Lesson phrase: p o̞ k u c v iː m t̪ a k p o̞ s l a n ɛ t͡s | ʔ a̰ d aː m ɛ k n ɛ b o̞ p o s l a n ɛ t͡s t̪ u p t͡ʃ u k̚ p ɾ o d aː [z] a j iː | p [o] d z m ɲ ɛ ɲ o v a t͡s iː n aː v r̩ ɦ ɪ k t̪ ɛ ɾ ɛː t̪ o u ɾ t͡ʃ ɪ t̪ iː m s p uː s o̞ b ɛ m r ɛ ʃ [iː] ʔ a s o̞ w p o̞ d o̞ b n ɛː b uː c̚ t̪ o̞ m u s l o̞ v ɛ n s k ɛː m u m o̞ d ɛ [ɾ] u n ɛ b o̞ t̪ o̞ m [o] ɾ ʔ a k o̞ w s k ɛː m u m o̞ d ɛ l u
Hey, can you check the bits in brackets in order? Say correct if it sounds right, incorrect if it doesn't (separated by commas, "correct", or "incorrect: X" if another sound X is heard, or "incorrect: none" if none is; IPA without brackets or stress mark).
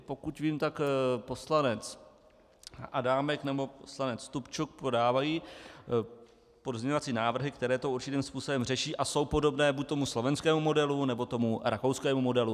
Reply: incorrect: v, correct, correct, incorrect: l, incorrect: u